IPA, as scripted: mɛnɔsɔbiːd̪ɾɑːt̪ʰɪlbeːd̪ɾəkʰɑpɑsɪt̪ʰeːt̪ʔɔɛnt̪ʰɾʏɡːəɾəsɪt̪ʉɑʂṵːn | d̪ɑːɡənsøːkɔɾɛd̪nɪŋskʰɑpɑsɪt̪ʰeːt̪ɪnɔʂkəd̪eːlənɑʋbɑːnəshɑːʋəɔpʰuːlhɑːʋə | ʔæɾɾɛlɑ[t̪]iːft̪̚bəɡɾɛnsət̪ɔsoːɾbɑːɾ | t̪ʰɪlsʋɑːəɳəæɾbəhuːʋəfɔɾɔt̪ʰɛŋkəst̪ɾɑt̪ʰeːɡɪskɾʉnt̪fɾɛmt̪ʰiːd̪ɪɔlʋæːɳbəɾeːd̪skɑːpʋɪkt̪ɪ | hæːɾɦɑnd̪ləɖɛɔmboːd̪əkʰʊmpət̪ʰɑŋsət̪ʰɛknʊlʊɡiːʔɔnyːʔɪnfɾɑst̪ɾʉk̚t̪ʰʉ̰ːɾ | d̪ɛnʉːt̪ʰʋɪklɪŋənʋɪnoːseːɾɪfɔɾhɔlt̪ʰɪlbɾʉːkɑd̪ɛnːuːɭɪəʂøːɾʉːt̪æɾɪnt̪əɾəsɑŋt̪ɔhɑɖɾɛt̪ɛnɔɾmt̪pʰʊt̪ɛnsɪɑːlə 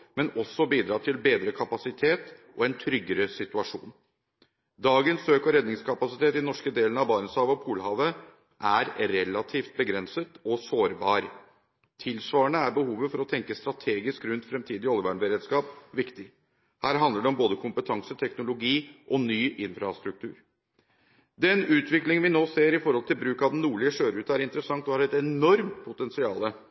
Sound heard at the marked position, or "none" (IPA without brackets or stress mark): t̪ʰ